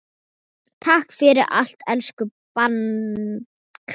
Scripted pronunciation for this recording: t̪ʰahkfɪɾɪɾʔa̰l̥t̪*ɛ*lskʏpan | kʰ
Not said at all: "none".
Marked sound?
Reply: ɛ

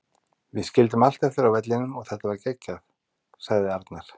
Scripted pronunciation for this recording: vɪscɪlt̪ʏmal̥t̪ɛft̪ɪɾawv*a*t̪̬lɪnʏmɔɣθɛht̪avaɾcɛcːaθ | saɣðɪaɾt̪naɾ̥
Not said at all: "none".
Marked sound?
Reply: ɛ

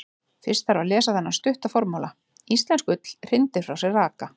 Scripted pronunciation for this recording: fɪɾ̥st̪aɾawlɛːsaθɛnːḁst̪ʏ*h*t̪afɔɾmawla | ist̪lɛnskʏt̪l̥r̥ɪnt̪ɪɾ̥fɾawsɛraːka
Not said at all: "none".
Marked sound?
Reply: h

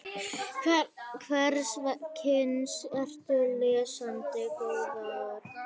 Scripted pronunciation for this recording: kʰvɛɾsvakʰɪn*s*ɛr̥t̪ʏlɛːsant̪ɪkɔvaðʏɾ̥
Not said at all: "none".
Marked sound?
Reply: s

